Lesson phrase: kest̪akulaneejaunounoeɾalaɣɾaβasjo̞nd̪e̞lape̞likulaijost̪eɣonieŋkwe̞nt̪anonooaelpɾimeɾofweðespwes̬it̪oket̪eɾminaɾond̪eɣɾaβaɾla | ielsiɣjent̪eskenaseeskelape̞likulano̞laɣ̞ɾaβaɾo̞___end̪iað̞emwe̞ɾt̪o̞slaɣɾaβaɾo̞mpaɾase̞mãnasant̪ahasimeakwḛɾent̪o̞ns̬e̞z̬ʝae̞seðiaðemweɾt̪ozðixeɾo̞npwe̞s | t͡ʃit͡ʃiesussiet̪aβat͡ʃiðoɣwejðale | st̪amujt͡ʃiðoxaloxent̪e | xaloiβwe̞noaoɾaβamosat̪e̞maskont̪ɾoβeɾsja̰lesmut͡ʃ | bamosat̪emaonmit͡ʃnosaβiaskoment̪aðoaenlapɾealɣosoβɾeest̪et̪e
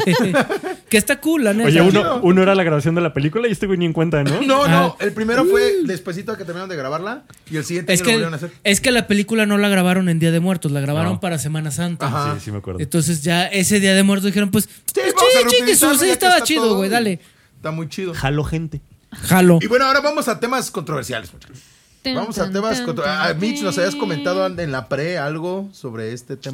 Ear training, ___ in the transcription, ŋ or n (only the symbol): n